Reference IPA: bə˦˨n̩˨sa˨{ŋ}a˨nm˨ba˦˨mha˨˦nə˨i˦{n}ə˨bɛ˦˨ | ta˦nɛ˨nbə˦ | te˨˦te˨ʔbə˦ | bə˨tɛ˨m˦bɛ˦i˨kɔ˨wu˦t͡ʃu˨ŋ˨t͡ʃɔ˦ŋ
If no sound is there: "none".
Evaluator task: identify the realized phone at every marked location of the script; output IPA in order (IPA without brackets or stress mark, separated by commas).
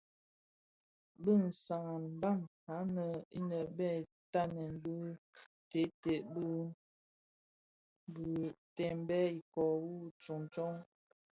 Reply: ŋ, n